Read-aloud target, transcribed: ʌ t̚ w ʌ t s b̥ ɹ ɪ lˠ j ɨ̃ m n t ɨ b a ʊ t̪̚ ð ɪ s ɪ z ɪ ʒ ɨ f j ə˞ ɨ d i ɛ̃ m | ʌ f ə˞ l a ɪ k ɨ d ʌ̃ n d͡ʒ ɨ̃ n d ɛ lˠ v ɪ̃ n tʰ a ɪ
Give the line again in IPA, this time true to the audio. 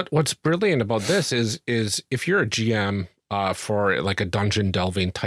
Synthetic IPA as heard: ʌ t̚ w ʌ t s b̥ ɹ ɪ lˠ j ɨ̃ n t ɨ b a ʊ t̪̚ ð ɪ s ɪ z ɪ z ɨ f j ə˞ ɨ d͡ʒ i ɛ̃ m | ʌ f ə˞ l a ɪ k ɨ d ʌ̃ n d͡ʒ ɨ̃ n d ɛ lˠ v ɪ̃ n tʰ a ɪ

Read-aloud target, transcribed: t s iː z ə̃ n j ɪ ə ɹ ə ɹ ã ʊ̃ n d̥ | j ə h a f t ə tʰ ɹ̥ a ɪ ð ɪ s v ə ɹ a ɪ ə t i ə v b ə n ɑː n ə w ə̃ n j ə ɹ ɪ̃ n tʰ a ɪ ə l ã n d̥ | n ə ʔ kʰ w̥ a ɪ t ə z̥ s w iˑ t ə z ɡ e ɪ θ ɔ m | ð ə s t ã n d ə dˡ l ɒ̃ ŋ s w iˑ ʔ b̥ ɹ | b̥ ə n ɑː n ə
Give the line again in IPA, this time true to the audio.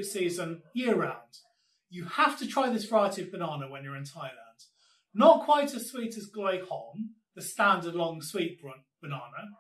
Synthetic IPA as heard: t s iː z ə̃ n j ɪ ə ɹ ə ɹ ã ʊ̃ n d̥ | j ə h a f t ə tʰ ɹ̥ a ɪ ð ɪ s v ə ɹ a ɪ ə t i ə v b ə n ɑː n ə w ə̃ n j ə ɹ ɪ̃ n tʰ a ɪ ə l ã n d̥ | n ə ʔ kʰ w̥ a ɪ t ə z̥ s w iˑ t ə z ɡ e ɪ h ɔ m | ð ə s t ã n d ə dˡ l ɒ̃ ŋ s w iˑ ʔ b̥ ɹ | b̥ ə n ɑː n ə

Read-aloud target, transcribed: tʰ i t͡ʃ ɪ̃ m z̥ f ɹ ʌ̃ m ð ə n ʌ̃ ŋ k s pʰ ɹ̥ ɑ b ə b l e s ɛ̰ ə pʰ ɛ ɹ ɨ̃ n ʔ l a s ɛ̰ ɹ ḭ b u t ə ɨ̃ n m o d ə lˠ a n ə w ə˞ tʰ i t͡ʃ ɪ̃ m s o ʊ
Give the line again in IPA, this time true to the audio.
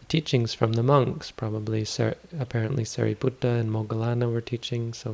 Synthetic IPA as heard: tʰ i t͡ʃ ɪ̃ ŋ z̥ f ɹ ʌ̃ m ð ə m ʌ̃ ŋ k s pʰ ɹ̥ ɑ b ə b l i s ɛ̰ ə pʰ ɛ ɹ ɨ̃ n ʔ l i s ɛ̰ ɹ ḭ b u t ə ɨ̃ n m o ɡ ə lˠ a n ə w ə˞ tʰ i t͡ʃ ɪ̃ ŋ s o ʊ

